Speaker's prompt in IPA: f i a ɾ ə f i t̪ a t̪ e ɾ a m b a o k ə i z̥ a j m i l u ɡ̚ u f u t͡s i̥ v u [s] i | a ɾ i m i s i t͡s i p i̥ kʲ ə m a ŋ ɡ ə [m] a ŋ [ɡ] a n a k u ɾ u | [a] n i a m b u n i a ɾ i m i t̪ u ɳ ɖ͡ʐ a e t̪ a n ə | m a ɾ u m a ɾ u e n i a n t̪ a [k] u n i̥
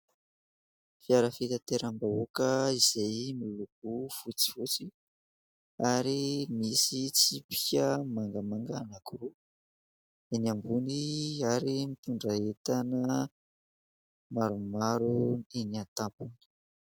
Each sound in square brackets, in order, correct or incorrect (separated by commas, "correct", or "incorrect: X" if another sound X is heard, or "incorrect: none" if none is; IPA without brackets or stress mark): incorrect: t͡s, correct, correct, incorrect: e, incorrect: p